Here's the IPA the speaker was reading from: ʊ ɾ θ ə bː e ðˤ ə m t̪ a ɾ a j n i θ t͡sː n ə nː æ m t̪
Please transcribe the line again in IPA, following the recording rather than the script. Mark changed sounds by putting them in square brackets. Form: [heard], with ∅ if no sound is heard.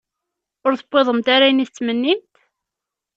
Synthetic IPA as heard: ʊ ɾ θ ə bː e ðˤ ə m t̪ a ɾ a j n i θ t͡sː [m] ə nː [i] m t̪